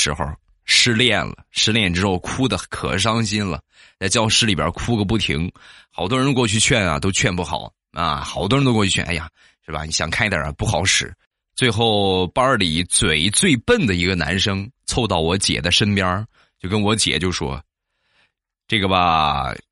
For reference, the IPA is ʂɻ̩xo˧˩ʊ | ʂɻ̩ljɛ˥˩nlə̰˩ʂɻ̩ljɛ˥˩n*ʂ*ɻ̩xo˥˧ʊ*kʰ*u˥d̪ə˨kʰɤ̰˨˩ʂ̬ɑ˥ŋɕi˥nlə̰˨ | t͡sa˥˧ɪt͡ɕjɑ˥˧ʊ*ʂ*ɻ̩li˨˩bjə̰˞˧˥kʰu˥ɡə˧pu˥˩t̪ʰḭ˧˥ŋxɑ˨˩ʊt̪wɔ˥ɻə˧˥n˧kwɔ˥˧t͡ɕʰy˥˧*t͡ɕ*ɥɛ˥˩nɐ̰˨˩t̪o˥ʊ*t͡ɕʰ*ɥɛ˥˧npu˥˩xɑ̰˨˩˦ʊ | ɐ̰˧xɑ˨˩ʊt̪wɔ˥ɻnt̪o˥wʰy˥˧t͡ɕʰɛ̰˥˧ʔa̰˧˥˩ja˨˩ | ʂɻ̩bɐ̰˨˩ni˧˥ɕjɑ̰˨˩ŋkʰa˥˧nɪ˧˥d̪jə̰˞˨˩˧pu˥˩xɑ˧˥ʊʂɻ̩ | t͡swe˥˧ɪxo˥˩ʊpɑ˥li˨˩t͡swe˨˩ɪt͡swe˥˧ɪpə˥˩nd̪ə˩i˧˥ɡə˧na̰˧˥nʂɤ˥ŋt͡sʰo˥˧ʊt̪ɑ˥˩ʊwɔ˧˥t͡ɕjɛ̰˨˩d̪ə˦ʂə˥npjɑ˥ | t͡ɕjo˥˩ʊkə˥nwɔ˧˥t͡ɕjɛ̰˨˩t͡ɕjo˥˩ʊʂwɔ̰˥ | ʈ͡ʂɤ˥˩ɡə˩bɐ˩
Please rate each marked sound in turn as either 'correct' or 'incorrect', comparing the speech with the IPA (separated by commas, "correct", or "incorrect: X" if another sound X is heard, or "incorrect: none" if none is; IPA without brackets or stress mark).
incorrect: ʈ͡ʂ, correct, correct, incorrect: t͡ɕʰ, correct